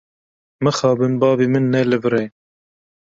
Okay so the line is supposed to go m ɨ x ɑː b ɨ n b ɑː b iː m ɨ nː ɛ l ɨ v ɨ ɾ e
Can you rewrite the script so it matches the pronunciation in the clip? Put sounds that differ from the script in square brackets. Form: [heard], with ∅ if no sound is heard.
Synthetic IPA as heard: m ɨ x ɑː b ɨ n b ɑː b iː m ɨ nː ɛ l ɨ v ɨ ɾ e